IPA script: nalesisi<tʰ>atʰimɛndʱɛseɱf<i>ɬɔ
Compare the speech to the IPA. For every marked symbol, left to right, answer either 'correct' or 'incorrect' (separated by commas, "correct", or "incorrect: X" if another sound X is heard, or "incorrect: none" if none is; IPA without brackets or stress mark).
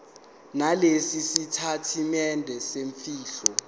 correct, incorrect: iː